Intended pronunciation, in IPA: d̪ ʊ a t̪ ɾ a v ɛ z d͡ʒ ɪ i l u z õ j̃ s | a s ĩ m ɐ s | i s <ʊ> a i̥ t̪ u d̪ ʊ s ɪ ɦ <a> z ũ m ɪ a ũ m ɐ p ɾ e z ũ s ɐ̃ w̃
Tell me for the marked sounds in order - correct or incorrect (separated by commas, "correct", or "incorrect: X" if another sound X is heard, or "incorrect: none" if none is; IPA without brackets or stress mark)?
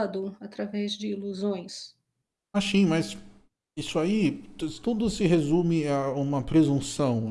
correct, incorrect: e